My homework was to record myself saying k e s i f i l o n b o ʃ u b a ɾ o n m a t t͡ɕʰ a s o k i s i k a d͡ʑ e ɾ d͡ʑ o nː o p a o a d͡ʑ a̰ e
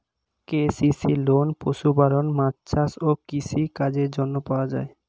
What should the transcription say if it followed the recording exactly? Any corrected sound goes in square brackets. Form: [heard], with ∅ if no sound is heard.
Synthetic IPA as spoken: k e s i [s] i l o n [p] o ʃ u b a ɾ o n m a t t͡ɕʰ a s o k i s i k a d͡ʑ e ɾ d͡ʑ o nː o p a o a d͡ʑ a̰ e